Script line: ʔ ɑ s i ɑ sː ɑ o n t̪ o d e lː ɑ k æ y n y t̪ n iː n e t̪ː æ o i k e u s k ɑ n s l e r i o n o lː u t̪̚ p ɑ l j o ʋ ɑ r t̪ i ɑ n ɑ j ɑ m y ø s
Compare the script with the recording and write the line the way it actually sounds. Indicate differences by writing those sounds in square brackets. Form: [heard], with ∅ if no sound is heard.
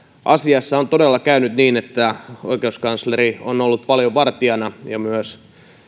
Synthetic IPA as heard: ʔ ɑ s i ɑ sː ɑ o n t̪ o d e lː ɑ k æ y n y t̪ n iː n e t̪ː æ o i k e u s k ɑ n s l e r i o n o lː u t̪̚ p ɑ l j o ʋ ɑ r t̪ i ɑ n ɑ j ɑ m y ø s